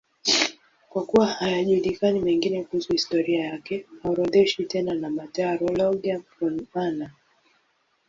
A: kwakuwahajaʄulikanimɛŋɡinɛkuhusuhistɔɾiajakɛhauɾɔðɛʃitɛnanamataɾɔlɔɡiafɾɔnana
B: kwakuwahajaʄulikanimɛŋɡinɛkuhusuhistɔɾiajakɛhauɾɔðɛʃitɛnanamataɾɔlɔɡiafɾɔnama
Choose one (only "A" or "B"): A